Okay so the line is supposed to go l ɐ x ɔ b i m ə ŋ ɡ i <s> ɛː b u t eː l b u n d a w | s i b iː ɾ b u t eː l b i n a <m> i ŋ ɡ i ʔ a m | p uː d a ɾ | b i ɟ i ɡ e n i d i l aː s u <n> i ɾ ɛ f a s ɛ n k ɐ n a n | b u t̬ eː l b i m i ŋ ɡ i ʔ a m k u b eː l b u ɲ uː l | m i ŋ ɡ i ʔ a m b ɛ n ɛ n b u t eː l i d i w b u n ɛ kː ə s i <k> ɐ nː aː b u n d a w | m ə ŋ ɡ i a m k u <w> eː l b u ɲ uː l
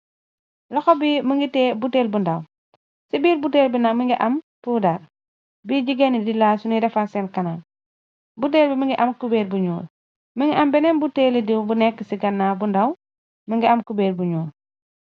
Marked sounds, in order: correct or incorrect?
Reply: incorrect, correct, correct, incorrect, incorrect

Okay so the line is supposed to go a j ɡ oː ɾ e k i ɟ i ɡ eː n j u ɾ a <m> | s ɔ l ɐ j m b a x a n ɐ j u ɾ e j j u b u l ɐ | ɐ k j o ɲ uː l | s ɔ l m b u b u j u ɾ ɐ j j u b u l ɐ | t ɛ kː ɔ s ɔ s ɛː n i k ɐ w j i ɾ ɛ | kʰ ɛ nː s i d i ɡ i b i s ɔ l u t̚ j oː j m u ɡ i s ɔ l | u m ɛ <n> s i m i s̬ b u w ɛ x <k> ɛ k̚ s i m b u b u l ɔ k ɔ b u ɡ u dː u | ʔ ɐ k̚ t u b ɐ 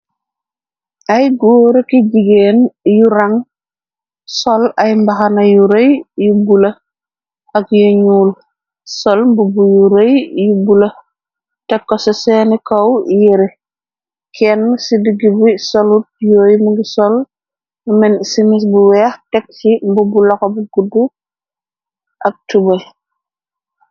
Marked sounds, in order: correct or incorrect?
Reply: incorrect, correct, incorrect

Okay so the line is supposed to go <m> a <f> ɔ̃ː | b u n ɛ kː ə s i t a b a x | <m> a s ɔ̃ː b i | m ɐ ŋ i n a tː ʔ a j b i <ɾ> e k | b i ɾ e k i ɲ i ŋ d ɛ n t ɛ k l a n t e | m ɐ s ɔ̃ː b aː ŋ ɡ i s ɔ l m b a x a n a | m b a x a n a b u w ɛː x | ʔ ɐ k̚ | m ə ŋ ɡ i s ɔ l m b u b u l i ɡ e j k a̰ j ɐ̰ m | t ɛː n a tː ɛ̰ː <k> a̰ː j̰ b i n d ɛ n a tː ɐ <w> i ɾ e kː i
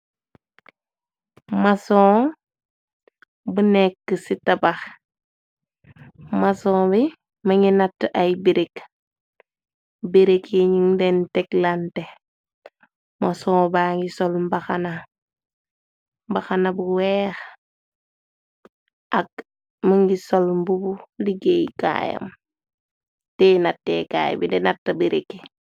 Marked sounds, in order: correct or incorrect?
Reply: correct, incorrect, correct, correct, correct, incorrect

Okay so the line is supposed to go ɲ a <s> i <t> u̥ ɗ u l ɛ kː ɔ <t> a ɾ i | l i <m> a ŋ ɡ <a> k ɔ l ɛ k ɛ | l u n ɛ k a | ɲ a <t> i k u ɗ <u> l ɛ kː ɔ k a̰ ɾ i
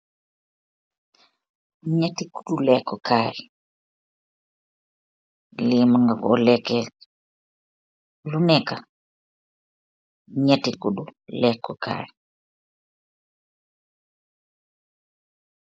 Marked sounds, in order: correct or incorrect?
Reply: incorrect, incorrect, incorrect, correct, correct, correct, correct

